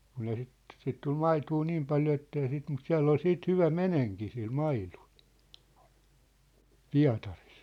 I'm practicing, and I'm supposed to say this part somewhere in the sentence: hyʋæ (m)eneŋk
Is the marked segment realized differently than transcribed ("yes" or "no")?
no